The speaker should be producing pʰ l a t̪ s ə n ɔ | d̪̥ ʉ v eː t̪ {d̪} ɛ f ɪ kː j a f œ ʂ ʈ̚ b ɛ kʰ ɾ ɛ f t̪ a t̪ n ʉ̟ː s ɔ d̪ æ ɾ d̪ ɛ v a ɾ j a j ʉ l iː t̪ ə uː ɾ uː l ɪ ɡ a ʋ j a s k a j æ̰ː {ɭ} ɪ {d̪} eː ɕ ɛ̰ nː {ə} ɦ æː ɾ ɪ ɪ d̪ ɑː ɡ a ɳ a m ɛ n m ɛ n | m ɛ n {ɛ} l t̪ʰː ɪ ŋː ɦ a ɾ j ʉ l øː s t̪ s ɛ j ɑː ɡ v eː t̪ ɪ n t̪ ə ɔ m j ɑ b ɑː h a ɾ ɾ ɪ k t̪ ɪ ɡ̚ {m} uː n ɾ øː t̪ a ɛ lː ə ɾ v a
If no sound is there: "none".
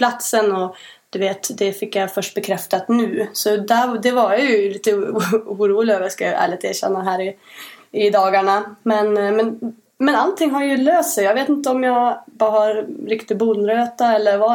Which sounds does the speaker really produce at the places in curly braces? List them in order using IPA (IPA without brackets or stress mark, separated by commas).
d̪, ɭ, t̪, a, a, b